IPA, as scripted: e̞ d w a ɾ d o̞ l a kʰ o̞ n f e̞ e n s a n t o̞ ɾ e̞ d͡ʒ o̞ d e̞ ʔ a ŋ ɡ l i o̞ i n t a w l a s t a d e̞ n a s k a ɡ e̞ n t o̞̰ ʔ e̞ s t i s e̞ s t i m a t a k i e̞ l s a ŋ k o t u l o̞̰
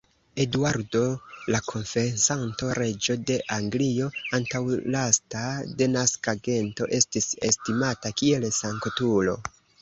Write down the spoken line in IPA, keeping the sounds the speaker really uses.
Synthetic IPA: e̞ d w a ɾ d o̞ l a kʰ o̞ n f e̞ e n s a n t o̞ ɾ e̞ d͡ʒ o̞ d e̞ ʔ a ŋ ɡ l i o̞ a n t a w l a s t a d e̞ n a s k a ɡ e̞ n t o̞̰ ʔ e̞ s t i s e̞ s t i m a t a k i e̞ l s a ŋ k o t u l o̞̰